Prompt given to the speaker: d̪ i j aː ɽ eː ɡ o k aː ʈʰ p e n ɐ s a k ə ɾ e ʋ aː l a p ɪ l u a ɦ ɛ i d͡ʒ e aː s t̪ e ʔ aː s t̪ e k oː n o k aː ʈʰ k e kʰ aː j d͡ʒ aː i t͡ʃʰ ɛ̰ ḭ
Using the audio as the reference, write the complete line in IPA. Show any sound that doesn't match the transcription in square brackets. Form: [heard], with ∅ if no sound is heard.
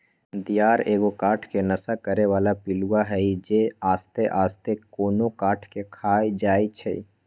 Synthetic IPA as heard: d̪ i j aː [ɾ] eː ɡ o k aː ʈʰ [k] e n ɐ s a k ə ɾ e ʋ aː l a p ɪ l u a ɦ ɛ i d͡ʒ e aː s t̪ e ʔ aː s t̪ e k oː n o k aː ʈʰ k e kʰ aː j d͡ʒ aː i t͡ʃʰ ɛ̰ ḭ